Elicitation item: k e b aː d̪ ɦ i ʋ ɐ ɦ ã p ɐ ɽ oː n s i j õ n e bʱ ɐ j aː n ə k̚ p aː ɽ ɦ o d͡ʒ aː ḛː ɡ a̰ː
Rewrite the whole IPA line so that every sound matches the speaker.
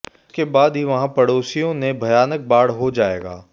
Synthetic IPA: k e b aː d̪ ɦ i ʋ ɐ ɦ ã p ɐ ɽ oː s i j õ n e bʱ ɐ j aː n ə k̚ b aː ɽ ɦ o d͡ʒ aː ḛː ɡ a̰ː